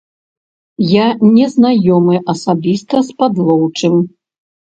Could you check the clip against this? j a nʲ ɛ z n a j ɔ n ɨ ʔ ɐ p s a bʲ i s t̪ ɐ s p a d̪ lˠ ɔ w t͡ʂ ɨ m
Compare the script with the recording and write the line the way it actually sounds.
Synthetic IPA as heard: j a nʲ ɛ z n a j ɔ m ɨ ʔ ɐ s a bʲ i s t̪ ɐ s p a d̪ lˠ ɔ w t͡ʂ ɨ m